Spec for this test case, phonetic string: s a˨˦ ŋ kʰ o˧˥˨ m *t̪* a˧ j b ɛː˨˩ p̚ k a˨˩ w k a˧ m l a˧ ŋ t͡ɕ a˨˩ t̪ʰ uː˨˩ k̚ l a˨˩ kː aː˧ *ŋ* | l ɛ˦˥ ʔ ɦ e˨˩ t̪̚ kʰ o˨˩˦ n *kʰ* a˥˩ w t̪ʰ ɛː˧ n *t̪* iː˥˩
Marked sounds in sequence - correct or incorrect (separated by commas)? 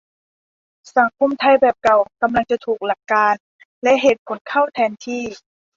incorrect, incorrect, correct, incorrect